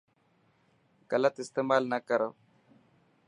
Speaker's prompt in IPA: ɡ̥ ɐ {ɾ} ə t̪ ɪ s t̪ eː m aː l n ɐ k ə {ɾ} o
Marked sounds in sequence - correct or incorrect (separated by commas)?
incorrect, correct